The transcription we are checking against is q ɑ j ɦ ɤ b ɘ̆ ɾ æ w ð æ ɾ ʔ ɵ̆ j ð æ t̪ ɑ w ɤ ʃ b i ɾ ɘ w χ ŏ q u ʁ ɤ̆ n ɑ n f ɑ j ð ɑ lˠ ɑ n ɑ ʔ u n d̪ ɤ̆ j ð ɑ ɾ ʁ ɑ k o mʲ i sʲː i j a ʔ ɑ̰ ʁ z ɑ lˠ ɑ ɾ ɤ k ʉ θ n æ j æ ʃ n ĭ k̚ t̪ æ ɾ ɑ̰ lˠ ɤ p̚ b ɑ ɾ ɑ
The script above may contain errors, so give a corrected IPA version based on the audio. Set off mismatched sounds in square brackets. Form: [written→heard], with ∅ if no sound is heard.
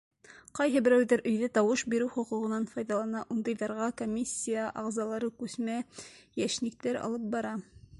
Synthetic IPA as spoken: q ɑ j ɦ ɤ b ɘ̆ ɾ æ w ð æ ɾ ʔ ɵ̆ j ð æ t̪ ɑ w ɤ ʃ b i ɾ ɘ w χ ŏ q u ʁ ɤ̆ n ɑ n f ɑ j ð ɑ lˠ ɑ n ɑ ʔ u n d̪ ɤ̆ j ð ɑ ɾ ʁ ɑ k o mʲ i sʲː i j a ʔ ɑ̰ ʁ z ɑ lˠ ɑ ɾ ɤ k ʉ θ [n→m] æ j æ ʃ n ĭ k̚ t̪ æ ɾ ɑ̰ lˠ ɤ p̚ b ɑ ɾ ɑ